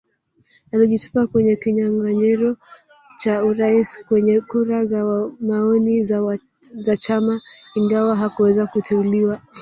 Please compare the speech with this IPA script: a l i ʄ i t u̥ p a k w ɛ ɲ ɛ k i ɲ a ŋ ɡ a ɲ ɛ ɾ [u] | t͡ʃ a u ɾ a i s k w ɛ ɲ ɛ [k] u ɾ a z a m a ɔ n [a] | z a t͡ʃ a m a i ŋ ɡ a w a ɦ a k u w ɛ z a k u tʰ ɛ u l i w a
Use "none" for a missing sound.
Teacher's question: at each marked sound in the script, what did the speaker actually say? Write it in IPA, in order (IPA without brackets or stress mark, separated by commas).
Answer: ɔ, k, i